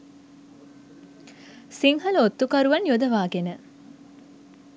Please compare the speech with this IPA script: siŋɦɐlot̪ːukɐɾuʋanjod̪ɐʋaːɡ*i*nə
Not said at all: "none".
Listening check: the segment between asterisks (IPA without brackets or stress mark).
e